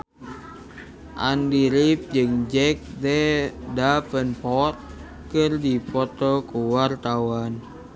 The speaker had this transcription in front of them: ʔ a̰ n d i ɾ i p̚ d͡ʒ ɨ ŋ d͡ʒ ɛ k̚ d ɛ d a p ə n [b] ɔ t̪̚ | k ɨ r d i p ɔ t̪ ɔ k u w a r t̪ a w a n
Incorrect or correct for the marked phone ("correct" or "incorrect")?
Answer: incorrect